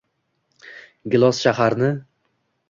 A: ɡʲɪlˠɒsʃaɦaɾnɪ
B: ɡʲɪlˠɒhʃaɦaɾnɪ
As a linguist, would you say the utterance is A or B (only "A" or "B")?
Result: A